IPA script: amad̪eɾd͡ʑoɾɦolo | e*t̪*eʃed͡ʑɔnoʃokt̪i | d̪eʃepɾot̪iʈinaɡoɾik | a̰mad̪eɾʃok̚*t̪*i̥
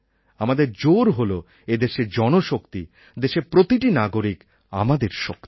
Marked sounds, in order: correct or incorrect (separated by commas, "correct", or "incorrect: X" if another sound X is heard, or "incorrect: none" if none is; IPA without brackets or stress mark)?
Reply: incorrect: d̪, correct